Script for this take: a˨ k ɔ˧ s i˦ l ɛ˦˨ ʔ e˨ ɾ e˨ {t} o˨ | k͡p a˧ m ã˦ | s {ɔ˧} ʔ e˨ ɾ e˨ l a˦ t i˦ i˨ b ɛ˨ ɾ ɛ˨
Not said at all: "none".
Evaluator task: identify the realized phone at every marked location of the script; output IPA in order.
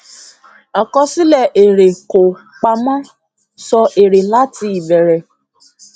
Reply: k, ɔ˧

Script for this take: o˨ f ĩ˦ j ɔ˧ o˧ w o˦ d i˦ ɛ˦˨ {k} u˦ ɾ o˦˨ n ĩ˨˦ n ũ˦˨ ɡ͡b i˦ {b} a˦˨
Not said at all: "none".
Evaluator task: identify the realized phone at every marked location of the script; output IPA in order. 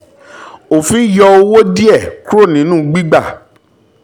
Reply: k, ɡ͡b

